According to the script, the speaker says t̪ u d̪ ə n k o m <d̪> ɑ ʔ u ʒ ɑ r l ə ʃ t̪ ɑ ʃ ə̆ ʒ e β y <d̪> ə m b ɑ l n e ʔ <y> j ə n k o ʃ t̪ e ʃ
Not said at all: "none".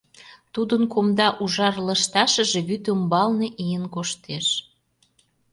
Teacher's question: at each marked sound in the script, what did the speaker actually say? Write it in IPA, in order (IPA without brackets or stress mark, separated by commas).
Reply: d̪, t̪, i